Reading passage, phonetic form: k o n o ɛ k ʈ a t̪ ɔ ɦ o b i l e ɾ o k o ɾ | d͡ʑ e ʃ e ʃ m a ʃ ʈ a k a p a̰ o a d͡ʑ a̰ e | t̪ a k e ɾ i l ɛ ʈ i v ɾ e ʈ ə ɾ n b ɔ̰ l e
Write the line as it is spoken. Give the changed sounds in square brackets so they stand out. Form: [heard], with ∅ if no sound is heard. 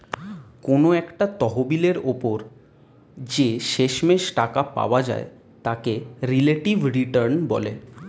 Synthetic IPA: k o n o ɛ k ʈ a t̪ ɔ ɦ o b i l e ɾ o [p] o ɾ | d͡ʑ e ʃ e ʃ m [e] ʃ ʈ a k a p a̰ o a d͡ʑ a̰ e | t̪ a k e ɾ i l [e] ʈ i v ɾ [i] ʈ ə ɾ n b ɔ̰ l e